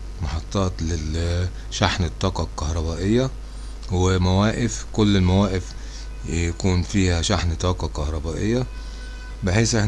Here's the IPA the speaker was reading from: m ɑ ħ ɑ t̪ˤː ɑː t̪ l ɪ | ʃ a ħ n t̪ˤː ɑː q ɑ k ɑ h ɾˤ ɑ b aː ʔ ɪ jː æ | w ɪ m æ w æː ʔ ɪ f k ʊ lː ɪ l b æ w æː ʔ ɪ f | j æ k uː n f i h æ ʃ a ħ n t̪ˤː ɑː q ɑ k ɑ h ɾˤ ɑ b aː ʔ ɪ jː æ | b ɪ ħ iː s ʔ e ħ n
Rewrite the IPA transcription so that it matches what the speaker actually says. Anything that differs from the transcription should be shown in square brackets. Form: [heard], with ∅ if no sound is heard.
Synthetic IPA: m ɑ ħ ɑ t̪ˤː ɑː t̪ l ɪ | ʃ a ħ n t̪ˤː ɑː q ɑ k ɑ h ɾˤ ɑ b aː ʔ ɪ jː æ | w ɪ m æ w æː ʔ ɪ f k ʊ lː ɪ l [m] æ w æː ʔ ɪ f | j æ k uː n f [iː] h æ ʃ a ħ n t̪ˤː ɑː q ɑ k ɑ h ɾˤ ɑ b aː ʔ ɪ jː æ | b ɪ ħ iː s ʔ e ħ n